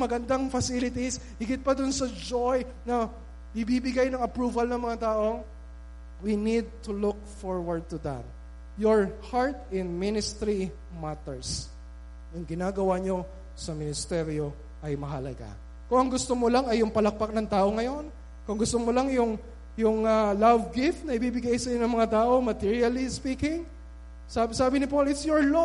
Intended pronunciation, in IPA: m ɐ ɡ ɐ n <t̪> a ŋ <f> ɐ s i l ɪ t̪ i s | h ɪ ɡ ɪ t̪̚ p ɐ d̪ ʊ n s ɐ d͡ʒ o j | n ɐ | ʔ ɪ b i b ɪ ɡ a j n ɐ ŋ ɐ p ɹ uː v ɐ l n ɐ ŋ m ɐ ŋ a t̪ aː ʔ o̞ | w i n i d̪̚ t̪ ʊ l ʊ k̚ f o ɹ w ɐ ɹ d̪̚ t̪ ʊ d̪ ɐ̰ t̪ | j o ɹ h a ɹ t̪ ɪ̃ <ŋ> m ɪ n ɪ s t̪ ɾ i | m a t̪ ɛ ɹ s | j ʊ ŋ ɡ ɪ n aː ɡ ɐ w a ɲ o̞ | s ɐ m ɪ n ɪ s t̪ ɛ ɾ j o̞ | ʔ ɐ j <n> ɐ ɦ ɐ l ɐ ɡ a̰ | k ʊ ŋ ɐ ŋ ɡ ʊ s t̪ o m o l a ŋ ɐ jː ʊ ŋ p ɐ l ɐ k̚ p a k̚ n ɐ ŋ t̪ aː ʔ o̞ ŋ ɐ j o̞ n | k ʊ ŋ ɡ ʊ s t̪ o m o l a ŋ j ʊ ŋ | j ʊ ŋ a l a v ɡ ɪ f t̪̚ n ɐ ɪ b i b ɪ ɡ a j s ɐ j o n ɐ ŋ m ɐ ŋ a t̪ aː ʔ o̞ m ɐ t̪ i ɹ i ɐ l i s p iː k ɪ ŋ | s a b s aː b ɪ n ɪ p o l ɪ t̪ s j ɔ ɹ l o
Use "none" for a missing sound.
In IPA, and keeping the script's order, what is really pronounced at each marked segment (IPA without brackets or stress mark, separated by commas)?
d̪, f, n, m